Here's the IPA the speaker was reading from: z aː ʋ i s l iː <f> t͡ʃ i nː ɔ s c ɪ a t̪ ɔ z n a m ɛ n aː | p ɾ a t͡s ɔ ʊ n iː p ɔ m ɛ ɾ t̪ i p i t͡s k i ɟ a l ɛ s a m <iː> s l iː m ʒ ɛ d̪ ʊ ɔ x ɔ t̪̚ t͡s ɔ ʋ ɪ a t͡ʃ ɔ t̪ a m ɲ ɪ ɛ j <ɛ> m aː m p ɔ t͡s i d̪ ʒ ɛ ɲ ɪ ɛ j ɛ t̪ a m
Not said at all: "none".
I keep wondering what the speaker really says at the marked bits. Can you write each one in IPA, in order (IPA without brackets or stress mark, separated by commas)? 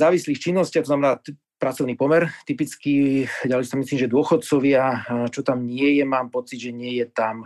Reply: x, i, ɛ